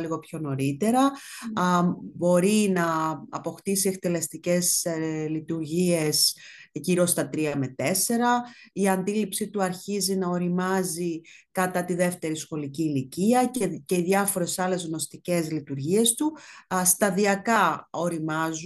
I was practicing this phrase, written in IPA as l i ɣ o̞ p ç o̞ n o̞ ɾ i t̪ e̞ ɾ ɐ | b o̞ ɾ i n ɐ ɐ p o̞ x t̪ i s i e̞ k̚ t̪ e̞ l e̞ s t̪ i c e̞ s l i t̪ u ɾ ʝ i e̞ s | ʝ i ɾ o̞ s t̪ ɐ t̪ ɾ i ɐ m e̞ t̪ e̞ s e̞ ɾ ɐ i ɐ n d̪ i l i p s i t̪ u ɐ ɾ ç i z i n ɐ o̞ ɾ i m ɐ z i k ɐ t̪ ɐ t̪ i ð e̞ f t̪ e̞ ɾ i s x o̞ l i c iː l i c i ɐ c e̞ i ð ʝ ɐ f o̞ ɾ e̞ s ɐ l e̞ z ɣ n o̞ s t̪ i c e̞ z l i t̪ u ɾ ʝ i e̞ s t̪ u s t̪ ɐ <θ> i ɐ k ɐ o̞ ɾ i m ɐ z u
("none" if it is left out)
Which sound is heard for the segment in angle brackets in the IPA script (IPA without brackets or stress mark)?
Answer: ð